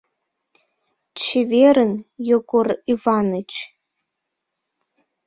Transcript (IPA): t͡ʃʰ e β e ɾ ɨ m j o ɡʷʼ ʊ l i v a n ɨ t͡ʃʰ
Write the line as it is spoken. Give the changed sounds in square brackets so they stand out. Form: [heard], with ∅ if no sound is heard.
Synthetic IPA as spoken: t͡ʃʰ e [v] e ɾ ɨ [n] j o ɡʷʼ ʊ [r] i v a n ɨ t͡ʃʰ